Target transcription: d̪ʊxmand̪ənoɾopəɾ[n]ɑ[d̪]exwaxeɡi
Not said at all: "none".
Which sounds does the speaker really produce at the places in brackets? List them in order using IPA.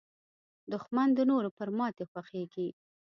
m, t̪

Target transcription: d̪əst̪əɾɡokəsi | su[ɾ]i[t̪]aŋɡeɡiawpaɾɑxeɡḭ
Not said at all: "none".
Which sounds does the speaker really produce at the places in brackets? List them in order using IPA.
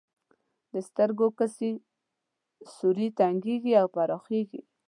ɾ, t̪

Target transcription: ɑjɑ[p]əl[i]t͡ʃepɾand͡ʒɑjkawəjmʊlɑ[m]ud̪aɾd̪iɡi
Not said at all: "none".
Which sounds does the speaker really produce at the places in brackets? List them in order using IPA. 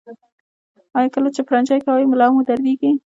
k, a, m

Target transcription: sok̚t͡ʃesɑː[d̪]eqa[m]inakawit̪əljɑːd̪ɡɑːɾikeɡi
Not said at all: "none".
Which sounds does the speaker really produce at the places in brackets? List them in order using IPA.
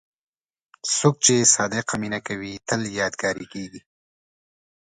d̪, m

